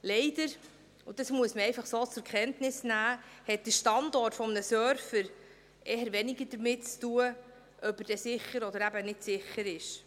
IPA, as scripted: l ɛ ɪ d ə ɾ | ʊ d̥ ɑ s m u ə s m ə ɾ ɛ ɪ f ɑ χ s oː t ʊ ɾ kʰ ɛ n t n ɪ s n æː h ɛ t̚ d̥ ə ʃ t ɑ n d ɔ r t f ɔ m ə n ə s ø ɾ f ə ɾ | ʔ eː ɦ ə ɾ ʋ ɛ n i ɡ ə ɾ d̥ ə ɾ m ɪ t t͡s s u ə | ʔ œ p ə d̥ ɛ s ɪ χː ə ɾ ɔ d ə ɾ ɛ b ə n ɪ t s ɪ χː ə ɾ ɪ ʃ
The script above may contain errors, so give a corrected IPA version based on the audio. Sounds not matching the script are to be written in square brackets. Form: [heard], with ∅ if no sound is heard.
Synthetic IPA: l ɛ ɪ d ə ɾ | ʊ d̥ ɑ s m u ə s m ə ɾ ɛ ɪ f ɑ χ s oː [t͡s] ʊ ɾ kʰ ɛ n t n ɪ s n æː h ɛ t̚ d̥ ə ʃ t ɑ n d ɔ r t f ɔ m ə n ə s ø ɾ f ə ɾ | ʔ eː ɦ ə ɾ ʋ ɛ n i ɡ ə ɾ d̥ ə ɾ m ɪ t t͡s [t] u ə | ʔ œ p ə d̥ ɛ s ɪ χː ə ɾ ɔ d ə ɾ [æ] b ə n ɪ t s ɪ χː ə ɾ ɪ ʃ